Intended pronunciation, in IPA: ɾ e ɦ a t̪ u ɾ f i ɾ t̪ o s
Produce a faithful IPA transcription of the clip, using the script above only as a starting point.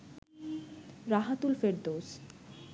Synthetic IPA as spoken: ɾ a ɦ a t̪ u l f e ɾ d̪ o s

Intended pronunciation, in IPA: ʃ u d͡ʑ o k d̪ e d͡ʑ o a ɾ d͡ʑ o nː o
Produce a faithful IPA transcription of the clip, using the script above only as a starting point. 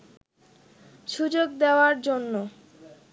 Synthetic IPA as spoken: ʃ u d͡ʑ o ɡ d̪ e o a ɾ d͡ʑ o nː o

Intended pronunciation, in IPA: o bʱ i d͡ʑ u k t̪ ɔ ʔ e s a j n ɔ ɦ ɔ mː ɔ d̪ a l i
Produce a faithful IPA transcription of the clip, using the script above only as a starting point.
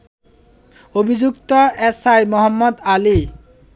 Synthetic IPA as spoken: o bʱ i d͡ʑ u k t̪ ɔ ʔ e s a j m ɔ ɦ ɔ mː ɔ d̪ a l i

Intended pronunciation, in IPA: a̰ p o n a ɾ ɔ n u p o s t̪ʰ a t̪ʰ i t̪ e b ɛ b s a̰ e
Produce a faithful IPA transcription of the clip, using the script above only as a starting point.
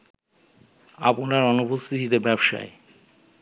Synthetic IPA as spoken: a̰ p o n a ɾ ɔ n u p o s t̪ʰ i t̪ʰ i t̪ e b ɛ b ʃ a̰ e

